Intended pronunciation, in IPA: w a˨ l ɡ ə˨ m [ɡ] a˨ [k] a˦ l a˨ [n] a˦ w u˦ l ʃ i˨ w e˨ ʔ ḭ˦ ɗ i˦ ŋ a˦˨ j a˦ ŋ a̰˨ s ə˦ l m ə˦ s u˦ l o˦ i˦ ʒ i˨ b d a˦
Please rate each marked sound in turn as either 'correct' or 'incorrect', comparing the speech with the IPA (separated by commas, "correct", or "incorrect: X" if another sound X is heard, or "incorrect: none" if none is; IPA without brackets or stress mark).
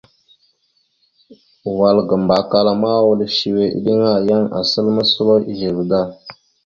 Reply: incorrect: b, correct, incorrect: m